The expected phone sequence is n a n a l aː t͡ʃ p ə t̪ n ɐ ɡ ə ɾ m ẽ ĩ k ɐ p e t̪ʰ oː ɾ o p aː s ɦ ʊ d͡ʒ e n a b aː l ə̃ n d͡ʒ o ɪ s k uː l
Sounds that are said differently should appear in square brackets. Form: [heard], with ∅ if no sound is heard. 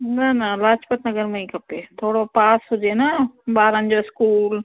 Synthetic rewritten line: n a n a l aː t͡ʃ p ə t̪ n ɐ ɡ ə ɾ m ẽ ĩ k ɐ p e t̪ʰ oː [ɽ] o p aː s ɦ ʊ d͡ʒ e n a b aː [ɾ] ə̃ n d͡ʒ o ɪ s k uː l